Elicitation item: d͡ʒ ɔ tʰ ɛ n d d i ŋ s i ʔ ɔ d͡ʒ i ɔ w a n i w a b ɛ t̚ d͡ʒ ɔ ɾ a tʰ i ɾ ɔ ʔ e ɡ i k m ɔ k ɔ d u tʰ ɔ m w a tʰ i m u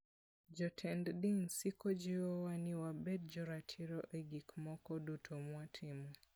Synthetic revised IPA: d͡ʒ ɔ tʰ ɛ n d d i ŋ s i k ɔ d͡ʒ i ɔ w a n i w a b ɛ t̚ d͡ʒ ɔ ɾ a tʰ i ɾ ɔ ʔ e ɡ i k m ɔ k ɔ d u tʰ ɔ m w a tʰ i m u